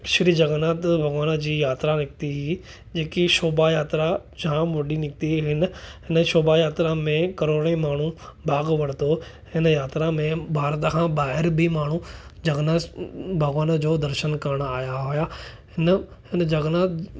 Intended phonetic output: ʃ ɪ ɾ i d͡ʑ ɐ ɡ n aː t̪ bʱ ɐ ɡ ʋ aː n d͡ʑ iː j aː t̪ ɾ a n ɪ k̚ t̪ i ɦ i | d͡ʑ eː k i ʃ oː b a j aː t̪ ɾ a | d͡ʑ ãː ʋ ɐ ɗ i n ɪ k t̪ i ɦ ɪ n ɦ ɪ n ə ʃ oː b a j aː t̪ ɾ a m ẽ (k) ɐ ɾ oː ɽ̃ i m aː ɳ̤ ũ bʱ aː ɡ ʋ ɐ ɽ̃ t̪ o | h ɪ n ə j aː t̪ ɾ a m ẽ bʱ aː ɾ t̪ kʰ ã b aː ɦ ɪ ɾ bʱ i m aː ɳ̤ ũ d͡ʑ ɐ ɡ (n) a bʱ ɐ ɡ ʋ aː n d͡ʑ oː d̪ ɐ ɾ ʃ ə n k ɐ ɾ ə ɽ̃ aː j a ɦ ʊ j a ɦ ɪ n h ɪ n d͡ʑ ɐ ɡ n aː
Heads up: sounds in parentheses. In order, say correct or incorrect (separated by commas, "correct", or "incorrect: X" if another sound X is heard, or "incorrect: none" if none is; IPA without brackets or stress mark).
correct, correct